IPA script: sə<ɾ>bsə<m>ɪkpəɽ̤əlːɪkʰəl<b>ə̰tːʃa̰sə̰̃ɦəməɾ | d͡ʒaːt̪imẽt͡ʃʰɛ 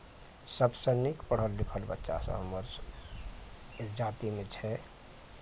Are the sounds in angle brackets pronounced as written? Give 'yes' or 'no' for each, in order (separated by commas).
no, no, yes